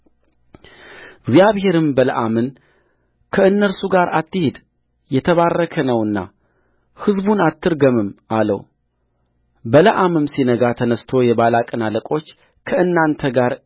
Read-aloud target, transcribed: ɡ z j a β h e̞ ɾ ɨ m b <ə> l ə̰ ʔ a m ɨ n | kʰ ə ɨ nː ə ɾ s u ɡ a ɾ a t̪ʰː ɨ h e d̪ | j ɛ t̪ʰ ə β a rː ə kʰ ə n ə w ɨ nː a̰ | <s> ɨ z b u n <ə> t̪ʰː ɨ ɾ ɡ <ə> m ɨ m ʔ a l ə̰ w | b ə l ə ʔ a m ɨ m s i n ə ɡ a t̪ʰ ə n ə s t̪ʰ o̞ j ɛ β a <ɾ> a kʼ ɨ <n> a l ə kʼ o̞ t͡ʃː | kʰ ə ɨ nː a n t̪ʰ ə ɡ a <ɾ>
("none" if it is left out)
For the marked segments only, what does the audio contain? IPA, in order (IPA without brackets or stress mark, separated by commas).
ə, h, a, ə, l, n, ɾ